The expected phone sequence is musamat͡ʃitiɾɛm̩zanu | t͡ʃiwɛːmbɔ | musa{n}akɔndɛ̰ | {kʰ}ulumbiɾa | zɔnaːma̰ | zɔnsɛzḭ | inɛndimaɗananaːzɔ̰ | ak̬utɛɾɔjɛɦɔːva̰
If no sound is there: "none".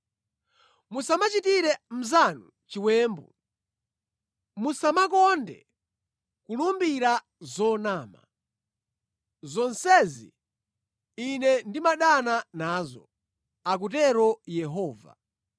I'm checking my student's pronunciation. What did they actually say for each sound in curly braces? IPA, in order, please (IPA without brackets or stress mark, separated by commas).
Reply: m, k